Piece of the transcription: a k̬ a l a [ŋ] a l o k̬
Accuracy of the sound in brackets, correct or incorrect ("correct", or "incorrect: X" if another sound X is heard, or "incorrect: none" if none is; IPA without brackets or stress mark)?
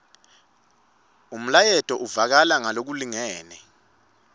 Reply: correct